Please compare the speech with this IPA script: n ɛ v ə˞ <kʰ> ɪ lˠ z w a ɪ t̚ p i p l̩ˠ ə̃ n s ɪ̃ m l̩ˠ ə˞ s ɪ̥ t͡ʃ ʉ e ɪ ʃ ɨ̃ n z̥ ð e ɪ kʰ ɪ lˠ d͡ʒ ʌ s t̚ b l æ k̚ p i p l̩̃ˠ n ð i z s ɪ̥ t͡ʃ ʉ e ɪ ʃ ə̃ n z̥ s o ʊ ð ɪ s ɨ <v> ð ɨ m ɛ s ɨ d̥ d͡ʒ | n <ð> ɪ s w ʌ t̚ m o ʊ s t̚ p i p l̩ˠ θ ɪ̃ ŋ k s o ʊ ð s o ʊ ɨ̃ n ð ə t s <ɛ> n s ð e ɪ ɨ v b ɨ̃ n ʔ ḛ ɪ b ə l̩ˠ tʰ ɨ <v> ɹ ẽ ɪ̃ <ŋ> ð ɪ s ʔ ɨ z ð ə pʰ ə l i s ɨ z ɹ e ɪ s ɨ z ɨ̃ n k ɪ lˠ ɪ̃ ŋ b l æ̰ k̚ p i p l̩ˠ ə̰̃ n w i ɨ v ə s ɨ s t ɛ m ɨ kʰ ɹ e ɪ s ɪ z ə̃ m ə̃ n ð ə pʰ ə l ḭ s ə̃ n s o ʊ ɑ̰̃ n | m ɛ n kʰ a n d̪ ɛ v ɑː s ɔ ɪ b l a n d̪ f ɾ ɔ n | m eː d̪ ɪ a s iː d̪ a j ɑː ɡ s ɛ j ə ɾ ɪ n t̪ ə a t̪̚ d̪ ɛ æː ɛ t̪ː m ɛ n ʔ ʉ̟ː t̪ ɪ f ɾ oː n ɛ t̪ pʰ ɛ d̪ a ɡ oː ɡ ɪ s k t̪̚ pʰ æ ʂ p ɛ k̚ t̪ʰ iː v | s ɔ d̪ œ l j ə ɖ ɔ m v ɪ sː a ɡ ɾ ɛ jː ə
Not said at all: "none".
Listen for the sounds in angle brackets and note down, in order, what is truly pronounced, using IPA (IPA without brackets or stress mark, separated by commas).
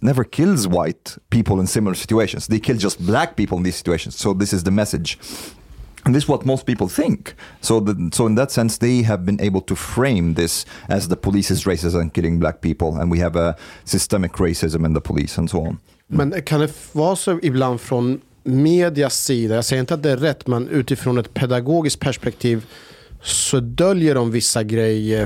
kʰ, z, ð, ɛ̃, f, m